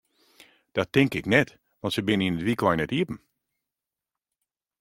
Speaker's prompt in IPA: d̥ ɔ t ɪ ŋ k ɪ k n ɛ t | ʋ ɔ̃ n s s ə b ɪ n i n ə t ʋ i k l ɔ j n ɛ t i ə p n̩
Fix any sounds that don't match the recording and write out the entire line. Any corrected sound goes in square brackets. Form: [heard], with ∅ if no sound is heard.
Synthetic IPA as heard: d̥ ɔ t ɪ ŋ k ɪ k n ɛ t | ʋ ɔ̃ n [t] s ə b ɪ n i n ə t ʋ i k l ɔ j n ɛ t i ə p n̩